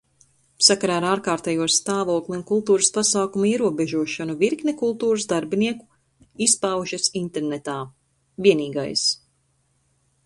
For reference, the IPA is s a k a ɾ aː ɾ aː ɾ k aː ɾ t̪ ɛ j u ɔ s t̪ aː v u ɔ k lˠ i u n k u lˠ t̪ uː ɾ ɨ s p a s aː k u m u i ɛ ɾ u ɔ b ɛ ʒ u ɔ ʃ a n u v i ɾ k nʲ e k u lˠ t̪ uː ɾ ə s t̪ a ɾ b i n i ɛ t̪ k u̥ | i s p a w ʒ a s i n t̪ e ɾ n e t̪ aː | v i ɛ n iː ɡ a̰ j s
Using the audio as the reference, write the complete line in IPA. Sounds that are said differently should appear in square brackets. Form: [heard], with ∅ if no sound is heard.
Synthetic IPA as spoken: s a k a ɾ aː ɾ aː ɾ k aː ɾ t̪ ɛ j u ɔ s t̪ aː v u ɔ k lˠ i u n k u lˠ t̪ uː ɾ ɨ s p a s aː k u m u i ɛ ɾ u ɔ b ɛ ʒ u ɔ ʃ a n u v i ɾ k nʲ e k u lˠ t̪ uː ɾ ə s [d̪] a ɾ b i n i ɛ [∅] k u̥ | i s p a w ʒ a s i n t̪ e ɾ n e t̪ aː | v i ɛ n iː ɡ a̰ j s